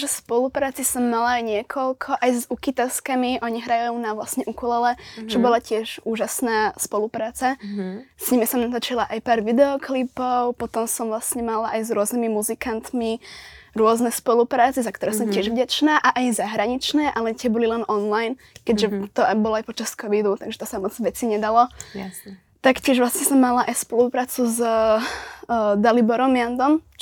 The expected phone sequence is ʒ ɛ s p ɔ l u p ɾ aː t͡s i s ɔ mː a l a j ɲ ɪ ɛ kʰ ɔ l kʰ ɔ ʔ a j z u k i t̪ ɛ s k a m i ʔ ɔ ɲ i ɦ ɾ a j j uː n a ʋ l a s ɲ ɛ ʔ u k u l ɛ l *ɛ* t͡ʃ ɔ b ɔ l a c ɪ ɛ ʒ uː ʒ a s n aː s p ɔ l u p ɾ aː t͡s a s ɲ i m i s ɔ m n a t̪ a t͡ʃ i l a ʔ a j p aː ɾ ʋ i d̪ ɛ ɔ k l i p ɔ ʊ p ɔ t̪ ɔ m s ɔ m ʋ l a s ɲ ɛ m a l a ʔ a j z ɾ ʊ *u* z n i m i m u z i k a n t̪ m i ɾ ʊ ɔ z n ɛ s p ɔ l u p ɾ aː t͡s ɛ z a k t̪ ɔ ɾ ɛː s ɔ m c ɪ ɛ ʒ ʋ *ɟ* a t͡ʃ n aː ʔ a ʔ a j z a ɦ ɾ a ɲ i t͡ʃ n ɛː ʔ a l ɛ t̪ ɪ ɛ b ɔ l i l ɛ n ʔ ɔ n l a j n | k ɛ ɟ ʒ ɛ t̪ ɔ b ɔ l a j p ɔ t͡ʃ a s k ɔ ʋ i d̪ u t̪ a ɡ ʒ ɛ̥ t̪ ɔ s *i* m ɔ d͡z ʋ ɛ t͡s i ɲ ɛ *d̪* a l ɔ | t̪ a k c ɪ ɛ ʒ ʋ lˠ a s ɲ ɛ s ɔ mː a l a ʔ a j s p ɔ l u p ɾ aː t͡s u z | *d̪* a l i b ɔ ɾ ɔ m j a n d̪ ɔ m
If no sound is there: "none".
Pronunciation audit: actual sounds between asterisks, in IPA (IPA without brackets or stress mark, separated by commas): ɛ, ɔ, ɟ, a, d̪, d̪